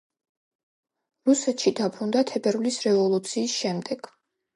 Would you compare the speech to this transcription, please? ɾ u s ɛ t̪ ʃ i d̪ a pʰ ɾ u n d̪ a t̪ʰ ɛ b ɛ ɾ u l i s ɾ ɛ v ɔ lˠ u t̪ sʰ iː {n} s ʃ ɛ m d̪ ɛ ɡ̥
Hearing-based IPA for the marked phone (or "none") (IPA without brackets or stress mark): none